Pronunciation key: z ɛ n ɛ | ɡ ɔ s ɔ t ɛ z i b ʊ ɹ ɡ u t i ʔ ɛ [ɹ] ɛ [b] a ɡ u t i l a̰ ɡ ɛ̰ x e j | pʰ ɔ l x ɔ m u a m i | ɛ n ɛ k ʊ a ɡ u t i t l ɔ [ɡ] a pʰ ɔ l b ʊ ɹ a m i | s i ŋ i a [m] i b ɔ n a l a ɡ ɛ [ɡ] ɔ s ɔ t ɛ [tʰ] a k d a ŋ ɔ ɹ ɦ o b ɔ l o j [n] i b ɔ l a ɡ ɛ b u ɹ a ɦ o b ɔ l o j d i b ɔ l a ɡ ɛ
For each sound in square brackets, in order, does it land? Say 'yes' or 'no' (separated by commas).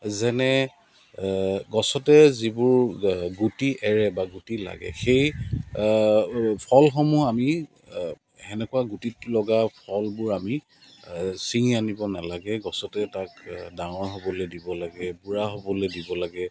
yes, yes, yes, no, yes, no, no